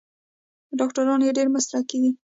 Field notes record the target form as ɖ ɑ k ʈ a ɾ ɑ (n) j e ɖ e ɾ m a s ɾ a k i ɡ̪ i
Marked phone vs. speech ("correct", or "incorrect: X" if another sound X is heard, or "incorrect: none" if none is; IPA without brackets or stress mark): correct